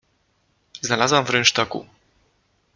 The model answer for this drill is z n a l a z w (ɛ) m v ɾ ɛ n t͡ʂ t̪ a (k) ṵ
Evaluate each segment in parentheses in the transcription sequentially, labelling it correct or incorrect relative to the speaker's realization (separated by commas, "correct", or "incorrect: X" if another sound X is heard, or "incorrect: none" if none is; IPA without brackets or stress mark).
incorrect: a, correct